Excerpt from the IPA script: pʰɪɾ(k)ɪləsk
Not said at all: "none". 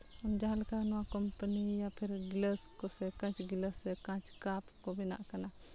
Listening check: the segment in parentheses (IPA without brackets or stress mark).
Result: ɡ